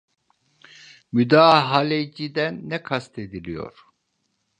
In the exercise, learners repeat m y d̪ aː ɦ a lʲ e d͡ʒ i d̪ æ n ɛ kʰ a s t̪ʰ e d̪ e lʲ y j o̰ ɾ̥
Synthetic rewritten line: m y d̪ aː ɦ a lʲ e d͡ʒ i d̪ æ nː ɛ kʰ a s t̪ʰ e d̪ i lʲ i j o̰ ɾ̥